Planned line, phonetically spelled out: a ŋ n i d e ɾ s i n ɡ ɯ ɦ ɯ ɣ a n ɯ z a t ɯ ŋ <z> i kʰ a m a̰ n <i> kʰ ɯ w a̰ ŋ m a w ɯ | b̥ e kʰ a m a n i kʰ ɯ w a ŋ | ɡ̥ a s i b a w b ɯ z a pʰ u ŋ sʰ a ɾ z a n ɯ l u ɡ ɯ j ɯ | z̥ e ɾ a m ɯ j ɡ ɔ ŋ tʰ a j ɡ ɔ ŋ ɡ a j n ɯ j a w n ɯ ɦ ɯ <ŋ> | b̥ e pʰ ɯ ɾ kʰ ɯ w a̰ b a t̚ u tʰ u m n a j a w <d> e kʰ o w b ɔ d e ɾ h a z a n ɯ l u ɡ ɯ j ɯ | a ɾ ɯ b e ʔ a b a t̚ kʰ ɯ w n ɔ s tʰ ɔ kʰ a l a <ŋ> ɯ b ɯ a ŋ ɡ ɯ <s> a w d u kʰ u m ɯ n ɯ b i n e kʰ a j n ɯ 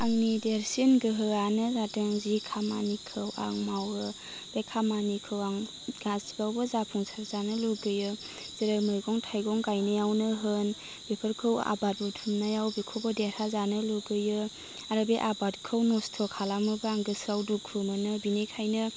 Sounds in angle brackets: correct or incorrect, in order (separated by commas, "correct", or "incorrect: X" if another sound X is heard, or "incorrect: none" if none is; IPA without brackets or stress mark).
correct, correct, incorrect: n, incorrect: b, incorrect: m, correct